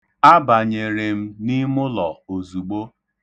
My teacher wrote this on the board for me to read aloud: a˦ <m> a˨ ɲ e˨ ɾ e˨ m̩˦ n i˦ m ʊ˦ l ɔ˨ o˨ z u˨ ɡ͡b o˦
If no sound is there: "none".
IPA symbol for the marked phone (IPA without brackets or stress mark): b